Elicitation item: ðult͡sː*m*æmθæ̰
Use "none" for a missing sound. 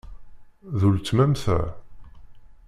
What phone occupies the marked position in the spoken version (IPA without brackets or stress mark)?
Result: m